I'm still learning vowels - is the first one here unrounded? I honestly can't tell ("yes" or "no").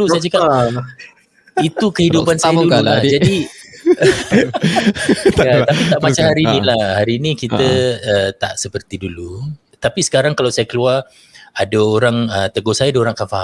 no